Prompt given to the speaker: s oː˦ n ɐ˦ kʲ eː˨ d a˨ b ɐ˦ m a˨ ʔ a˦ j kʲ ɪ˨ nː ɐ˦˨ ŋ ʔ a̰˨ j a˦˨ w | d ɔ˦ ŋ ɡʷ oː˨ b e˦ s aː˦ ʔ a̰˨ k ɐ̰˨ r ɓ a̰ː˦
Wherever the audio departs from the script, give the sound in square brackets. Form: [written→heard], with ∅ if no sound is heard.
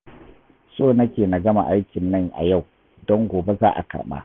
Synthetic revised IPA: s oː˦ n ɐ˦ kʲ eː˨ [d→n] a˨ [b→ɡ] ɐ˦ m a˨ ʔ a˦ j kʲ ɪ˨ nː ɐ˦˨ ŋ ʔ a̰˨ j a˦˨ w | d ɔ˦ ŋ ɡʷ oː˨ b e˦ [s→z] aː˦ ʔ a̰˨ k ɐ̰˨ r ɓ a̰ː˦